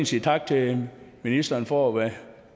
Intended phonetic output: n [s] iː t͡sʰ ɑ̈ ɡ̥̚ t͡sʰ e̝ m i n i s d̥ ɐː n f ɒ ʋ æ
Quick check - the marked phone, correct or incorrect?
correct